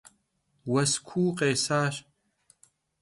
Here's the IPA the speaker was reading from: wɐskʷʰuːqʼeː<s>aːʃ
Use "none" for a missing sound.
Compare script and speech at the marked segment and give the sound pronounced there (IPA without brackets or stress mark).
s